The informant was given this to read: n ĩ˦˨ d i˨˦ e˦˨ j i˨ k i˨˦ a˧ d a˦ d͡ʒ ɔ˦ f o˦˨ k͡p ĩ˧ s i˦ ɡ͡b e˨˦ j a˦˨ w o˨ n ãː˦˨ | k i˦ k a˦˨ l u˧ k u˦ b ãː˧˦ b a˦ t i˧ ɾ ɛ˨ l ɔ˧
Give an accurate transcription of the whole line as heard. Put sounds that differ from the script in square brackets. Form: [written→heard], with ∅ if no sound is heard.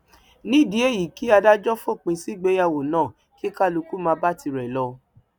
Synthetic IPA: n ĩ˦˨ d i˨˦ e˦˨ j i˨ k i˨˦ a˧ d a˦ d͡ʒ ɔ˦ f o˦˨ k͡p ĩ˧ s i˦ ɡ͡b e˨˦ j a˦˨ w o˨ n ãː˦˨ | k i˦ k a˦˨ l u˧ k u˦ [b→m] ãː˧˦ b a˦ t i˧ ɾ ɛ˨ l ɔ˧